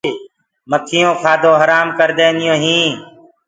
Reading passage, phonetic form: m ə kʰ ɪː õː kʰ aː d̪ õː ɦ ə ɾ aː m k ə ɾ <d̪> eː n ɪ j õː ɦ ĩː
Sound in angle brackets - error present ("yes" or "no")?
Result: no